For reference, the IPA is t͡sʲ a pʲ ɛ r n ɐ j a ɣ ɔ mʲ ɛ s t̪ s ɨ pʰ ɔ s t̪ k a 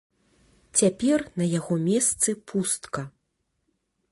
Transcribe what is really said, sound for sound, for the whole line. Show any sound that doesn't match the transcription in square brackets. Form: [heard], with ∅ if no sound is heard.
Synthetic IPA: t͡sʲ a pʲ ɛ r n ɐ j a ɣ ɔ mʲ ɛ s t̪ s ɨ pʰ [u] s t̪ k [ɐ]